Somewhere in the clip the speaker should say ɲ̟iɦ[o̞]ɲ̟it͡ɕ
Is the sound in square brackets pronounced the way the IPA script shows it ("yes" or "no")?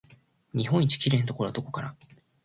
no